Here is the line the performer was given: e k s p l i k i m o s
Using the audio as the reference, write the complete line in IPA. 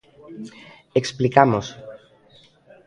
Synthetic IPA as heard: e k s p l i k a m o s